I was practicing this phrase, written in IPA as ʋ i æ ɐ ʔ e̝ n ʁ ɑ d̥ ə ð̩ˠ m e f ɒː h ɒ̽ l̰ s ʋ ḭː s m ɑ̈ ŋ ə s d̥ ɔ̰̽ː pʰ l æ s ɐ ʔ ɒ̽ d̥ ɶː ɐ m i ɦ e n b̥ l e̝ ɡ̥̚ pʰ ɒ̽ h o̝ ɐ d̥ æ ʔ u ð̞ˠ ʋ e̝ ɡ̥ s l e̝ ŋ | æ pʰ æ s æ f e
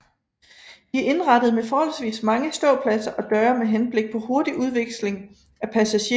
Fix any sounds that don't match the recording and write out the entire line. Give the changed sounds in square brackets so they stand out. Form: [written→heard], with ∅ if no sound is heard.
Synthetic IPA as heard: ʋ i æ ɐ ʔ e̝ n ʁ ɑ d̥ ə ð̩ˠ m e f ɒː h ɒ̽ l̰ s ʋ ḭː s m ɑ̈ ŋ ə s d̥ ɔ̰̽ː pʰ l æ s ɐ ʔ ɒ̽ d̥ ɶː ɐ m [i→e] ɦ e n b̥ l e̝ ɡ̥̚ pʰ ɒ̽ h o̝ ɐ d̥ [æ→i] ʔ u ð̞ˠ ʋ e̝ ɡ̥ s l e̝ ŋ | æ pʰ æ s æ [f→ɕ] e

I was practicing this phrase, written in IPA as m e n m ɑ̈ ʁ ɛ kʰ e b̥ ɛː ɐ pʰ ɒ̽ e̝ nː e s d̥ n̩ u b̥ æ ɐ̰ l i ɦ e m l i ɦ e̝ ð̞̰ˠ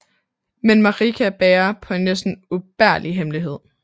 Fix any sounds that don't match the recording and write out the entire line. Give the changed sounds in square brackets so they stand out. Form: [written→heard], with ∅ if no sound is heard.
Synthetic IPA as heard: m e n m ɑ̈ ʁ [ɛ→i] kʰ [e→æ] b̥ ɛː ɐ pʰ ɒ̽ e̝ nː e s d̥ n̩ u b̥ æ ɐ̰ l i ɦ e m l i ɦ e̝ ð̞̰ˠ

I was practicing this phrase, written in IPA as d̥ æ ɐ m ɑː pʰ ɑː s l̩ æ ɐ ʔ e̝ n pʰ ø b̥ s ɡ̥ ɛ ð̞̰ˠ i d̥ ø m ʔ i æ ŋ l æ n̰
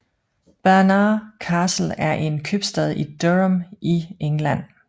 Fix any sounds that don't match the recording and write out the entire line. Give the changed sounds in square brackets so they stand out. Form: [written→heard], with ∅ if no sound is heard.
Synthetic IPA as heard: [d̥→b̥] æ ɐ [m→n] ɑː [pʰ→kʰ] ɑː s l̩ æ ɐ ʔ e̝ n [pʰ→kʰ] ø b̥ s [ɡ̥→d̥] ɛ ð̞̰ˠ i d̥ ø m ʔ i [æ→e] ŋ l æ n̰

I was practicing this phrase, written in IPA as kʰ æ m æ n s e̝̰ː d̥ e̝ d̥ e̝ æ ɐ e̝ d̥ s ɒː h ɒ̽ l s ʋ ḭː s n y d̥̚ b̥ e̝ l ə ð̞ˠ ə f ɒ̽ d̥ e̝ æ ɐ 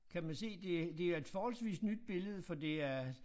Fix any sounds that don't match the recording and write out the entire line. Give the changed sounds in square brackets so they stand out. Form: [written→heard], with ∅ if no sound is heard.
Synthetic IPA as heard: kʰ æ m æ n s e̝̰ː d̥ e̝ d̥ e̝ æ ɐ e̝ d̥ [s→f] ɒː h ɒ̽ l s ʋ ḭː s n y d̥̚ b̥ e̝ l ə ð̞ˠ ə f ɒ̽ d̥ e̝ æ ɐ

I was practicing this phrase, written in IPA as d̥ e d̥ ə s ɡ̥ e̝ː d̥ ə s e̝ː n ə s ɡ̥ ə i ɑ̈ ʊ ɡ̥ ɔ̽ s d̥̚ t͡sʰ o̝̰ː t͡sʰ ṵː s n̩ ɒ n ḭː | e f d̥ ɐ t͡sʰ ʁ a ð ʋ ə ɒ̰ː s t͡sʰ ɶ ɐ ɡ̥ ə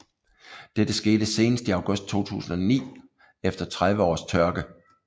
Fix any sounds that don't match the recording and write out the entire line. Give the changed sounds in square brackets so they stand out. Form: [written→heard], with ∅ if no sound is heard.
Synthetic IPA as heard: d̥ e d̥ ə s ɡ̥ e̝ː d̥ ə s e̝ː n ə s [ɡ̥→d̥] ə i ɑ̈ ʊ ɡ̥ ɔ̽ s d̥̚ t͡sʰ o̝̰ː t͡sʰ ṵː s n̩ ɒ n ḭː | e f d̥ ɐ t͡sʰ ʁ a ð ʋ ə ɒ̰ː s t͡sʰ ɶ ɐ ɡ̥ ə

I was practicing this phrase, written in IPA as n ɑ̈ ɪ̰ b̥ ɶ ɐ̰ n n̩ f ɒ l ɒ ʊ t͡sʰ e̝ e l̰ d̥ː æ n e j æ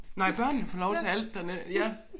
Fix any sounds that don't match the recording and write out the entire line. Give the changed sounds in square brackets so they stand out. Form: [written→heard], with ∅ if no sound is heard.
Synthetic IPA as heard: n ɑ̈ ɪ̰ b̥ ɶ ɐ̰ n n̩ f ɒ l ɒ ʊ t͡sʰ e̝ [e→æ] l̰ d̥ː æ n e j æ

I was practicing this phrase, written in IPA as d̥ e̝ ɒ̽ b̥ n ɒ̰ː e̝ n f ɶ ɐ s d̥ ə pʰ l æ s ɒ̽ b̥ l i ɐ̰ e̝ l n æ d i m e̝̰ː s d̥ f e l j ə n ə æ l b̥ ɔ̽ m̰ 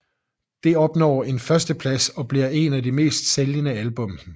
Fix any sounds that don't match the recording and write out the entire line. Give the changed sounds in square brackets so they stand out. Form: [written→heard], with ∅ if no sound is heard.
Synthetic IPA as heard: d̥ e̝ ɒ̽ b̥ n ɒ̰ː e̝ n f ɶ ɐ s d̥ ə pʰ l æ s ɒ̽ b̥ l i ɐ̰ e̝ [l→∅] n æ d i m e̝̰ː s d̥ [f→s] e l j ə n ə æ l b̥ ɔ̽ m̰

